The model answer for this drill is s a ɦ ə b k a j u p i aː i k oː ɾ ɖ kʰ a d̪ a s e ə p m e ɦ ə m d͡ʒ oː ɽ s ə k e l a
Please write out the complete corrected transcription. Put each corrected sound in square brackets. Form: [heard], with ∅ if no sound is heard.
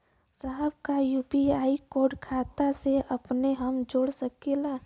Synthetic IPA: s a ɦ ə b k a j u p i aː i k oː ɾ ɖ kʰ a [t̪] a s e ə p [n] e ɦ ə m d͡ʒ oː ɽ s ə k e l a